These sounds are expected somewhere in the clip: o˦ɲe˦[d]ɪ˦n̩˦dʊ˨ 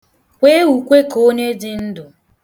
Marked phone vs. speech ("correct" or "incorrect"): correct